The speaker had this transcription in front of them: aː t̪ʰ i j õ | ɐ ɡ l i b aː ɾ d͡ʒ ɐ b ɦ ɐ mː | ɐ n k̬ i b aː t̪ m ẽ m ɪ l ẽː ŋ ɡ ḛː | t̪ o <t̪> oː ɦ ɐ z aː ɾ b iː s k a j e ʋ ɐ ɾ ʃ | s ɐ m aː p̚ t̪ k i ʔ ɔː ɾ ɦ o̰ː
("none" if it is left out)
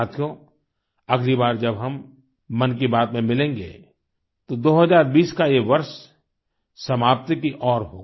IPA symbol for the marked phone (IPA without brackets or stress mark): d̪